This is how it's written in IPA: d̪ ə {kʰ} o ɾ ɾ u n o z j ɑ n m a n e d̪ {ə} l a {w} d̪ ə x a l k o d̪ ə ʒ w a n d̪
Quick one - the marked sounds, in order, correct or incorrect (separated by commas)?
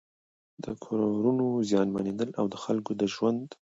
correct, correct, correct